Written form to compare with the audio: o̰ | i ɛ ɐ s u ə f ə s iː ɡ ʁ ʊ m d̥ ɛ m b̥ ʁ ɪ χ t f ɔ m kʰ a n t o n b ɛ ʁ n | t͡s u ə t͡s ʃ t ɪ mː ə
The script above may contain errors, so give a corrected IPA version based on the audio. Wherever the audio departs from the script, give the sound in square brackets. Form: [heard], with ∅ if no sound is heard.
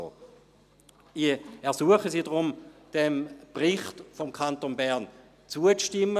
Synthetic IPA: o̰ | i ɛ ɐ s u ə [χ] ə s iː [d] ʁ ʊ m d̥ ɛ m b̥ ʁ ɪ χ t f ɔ m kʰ a n t o n b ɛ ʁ n | t͡s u ə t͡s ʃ t ɪ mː ə

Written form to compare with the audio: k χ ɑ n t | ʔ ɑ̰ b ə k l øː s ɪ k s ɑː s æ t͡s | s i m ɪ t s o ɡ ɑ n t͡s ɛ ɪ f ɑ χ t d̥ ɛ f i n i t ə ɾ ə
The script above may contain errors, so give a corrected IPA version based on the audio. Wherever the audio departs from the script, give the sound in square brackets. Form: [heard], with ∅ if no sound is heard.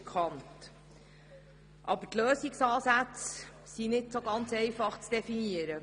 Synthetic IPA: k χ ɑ n t | ʔ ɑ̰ b ə [t] l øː s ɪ k s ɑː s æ t͡s | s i [n] ɪ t s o ɡ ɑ n t͡s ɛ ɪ f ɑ χ [t͡s] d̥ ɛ f i n i [∅] ə ɾ ə

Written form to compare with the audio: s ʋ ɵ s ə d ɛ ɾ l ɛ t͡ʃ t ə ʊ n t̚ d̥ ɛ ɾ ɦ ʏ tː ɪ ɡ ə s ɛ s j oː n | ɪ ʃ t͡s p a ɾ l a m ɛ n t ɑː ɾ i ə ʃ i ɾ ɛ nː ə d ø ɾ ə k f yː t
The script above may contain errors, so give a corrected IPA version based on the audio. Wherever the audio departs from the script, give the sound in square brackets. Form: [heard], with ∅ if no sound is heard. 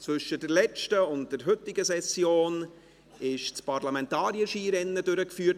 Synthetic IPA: [t͡s] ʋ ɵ [ʃ] ə d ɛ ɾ l ɛ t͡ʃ t ə ʊ n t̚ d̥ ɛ ɾ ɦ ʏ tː ɪ ɡ ə s ɛ s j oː n | ɪ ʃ t͡s p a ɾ l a m ɛ n t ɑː ɾ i ə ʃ [iː] ɾ ɛ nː ə d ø ɾ ə k f yː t

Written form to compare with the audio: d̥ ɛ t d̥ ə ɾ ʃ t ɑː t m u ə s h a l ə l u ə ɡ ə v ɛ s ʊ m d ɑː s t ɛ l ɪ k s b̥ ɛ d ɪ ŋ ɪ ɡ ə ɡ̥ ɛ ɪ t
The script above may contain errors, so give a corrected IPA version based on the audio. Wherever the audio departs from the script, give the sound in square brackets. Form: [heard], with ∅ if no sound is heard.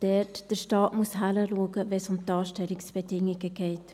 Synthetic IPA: d̥ ɛ t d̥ ə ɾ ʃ t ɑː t m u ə s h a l ə l u ə ɡ ə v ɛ s ʊ m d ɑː [ʃ] t ɛ l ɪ k s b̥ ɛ d ɪ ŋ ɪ ɡ ə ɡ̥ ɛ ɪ t

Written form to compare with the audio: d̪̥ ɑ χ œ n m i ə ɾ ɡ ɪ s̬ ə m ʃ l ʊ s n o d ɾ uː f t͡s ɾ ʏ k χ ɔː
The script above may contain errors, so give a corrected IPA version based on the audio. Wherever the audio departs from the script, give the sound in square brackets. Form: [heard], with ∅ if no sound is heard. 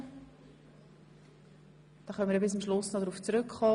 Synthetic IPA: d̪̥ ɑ χ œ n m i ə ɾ [b] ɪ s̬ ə m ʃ l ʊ s n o d ɾ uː f t͡s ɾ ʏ k χ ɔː

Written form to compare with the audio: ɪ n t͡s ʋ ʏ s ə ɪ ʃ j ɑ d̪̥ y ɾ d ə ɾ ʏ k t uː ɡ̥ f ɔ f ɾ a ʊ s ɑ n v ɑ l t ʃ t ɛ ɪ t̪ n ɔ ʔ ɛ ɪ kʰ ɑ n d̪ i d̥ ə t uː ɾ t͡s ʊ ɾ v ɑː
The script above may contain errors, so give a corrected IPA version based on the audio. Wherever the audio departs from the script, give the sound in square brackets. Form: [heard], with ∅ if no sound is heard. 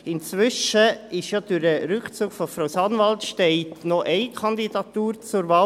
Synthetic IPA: ɪ n t͡s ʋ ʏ [ʃ] ə ɪ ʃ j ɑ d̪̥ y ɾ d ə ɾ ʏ k [t͡s] uː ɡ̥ f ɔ f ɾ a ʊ s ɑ n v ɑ l t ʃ t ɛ ɪ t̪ n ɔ ʔ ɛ ɪ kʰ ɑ n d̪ i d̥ [ɑ] t uː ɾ t͡s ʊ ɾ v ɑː

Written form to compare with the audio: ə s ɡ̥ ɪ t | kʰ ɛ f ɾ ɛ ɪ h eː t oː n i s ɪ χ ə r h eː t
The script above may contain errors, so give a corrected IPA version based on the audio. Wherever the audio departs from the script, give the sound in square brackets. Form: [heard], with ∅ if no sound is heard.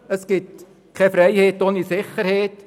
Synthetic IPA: ə s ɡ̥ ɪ t | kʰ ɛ f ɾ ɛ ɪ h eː t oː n i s ɪ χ ə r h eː t

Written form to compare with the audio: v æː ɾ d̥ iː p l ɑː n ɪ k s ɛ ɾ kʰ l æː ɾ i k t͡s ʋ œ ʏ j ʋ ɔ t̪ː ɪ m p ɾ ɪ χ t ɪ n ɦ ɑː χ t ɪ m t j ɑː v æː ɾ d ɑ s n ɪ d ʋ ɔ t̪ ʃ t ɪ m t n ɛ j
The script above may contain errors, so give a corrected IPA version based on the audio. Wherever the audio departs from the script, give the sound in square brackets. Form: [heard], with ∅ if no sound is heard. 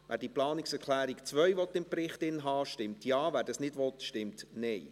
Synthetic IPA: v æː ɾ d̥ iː p l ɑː n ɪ k s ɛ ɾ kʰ l æː ɾ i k t͡s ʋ œ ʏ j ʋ ɔ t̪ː ɪ m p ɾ ɪ χ t ɪ n ɦ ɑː [ʃ] t ɪ m t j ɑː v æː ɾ d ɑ s n ɪ d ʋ ɔ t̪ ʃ t ɪ m t n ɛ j

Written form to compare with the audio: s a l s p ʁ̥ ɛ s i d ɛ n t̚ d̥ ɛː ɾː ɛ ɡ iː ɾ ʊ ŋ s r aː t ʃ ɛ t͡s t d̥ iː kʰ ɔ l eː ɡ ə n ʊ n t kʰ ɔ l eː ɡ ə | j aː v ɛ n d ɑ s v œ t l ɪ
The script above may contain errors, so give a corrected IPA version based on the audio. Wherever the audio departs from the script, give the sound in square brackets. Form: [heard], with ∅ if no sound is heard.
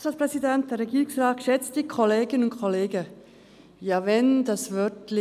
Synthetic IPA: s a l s p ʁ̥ ɛ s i d ɛ n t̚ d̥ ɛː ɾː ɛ ɡ iː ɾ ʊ ŋ s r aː t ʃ ɛ t͡s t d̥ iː kʰ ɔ l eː ɡ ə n ʊ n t kʰ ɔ l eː ɡ ə | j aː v ɛ n d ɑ s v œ t l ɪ

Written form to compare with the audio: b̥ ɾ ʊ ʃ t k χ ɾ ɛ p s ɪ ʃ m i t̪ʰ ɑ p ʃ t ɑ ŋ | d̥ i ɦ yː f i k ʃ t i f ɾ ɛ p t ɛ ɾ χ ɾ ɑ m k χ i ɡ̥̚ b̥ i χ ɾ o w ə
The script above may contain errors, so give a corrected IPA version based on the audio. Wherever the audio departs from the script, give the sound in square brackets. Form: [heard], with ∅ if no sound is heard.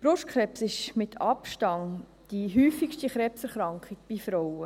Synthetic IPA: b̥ ɾ ʊ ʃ t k χ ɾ ɛ p s ɪ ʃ m [ɪ] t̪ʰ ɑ p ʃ t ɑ ŋ | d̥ i ɦ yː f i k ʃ t i [χ] ɾ ɛ p [s] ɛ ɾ χ ɾ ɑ [ŋ] k χ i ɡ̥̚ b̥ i [f] ɾ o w ə

